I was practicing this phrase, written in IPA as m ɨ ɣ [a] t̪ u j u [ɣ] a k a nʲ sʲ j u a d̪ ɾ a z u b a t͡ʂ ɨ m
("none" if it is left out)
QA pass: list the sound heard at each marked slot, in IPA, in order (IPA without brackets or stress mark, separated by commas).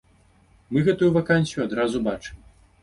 ɛ, v